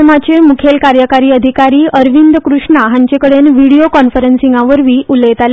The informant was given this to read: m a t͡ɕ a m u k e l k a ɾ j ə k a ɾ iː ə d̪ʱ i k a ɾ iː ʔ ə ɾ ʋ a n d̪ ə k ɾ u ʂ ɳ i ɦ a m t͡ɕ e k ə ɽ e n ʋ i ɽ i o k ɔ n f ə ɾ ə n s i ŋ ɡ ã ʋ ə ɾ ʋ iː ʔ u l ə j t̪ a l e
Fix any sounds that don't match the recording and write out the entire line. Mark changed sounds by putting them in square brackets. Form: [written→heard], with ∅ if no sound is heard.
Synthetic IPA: m a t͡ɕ [a→e] m u [k→kʰ] e l k a ɾ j ə k a ɾ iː ə d̪ʱ i k a ɾ iː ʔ ə ɾ ʋ [a→i] n d̪ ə k ɾ u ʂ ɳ [i→a] ɦ a [m→ɲ] t͡ɕ e k ə ɽ e n ʋ i ɽ i o k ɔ n f ə ɾ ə n s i ŋ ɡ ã ʋ ə ɾ ʋ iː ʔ u l ə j t̪ a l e